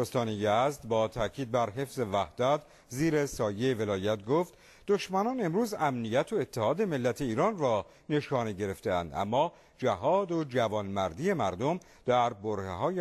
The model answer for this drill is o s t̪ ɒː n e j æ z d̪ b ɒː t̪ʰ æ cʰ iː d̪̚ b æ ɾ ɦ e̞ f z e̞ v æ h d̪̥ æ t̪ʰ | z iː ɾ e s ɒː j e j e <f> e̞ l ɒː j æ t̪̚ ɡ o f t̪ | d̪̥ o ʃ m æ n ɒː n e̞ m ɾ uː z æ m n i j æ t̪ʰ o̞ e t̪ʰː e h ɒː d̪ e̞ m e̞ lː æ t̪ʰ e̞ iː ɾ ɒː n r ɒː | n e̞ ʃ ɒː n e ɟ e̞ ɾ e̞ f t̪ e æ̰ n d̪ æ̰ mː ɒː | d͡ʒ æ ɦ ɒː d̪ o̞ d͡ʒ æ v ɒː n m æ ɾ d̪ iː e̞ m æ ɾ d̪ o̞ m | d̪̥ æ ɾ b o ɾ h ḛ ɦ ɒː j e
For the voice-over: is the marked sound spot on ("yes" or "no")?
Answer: no